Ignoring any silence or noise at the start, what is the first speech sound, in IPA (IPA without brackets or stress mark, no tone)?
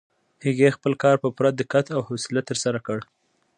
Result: h